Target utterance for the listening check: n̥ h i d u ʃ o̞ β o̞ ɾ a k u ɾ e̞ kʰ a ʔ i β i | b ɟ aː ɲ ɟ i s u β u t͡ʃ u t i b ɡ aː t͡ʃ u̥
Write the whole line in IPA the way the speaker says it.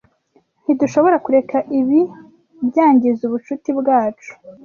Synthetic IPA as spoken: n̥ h i d u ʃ o̞ β o̞ ɾ a k u ɾ e̞ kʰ a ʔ i β i | b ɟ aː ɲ ɟ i z u β u t͡ʃ u t i b ɡ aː t͡ʃ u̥